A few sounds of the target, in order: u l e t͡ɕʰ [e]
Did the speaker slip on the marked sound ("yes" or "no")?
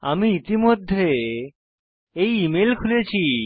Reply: yes